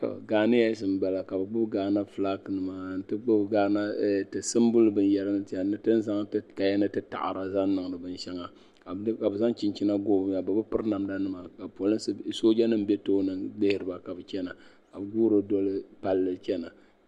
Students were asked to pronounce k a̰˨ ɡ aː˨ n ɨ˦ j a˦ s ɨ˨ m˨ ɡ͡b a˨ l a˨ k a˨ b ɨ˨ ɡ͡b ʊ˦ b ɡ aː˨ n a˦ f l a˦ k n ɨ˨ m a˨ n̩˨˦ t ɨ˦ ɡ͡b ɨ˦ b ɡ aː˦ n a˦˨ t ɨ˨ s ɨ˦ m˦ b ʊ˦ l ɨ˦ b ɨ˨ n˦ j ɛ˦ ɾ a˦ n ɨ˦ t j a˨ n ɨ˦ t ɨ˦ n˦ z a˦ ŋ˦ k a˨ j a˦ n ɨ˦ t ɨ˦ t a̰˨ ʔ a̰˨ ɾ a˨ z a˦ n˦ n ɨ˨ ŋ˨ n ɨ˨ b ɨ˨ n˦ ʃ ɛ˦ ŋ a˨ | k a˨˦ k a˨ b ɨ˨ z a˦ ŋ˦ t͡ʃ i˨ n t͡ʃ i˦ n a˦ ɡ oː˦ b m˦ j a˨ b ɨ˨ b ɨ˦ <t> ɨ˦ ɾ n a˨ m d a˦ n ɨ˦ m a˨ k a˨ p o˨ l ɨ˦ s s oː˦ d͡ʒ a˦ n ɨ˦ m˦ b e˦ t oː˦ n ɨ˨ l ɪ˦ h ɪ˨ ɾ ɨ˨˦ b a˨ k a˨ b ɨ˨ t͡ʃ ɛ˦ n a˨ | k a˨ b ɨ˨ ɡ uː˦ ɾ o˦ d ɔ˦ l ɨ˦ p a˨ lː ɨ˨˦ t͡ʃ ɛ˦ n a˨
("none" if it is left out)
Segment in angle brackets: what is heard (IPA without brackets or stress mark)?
p